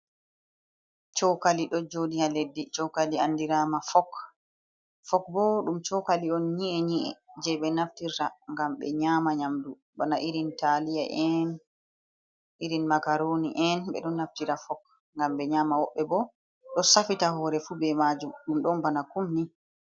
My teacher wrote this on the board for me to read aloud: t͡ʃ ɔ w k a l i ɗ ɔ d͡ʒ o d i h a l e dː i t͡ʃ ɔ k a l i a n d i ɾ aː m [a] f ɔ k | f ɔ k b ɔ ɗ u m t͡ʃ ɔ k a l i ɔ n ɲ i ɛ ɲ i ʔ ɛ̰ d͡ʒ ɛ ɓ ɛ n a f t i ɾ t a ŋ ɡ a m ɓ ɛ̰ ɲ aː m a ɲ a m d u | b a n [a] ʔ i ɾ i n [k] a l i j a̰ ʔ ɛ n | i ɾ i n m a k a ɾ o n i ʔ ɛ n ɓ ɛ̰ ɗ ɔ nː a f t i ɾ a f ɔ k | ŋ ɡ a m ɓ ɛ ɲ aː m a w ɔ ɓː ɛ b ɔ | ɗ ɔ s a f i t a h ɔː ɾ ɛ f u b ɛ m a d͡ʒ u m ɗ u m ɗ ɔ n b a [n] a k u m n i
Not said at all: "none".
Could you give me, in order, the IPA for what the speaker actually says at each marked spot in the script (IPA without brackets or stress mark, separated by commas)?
a, a, t, n